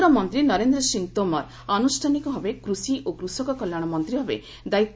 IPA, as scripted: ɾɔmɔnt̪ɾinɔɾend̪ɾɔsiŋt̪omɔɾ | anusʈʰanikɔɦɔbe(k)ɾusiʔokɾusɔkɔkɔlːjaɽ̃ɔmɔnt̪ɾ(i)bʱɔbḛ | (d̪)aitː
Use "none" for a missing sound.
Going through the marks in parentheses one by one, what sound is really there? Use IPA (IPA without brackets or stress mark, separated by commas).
k, i, d̪